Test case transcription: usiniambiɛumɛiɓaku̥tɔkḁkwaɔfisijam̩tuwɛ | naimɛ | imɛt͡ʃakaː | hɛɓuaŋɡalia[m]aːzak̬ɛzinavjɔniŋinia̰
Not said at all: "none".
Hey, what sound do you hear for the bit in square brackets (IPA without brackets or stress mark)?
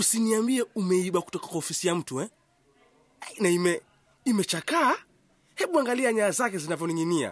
ɲ